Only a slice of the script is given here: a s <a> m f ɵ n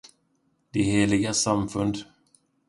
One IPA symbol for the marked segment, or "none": a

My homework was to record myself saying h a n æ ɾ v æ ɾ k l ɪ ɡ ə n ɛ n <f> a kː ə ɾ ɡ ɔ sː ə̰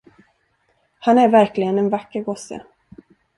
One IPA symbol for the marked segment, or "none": v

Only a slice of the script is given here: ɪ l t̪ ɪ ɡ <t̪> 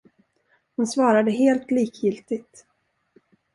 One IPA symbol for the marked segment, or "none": t̪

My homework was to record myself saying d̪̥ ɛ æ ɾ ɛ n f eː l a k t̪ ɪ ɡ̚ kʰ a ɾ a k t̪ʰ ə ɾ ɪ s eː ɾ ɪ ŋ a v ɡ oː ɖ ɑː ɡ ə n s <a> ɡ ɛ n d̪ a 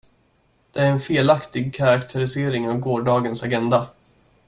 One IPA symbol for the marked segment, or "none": a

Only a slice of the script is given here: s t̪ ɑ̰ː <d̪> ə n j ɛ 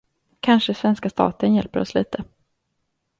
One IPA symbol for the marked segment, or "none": t̪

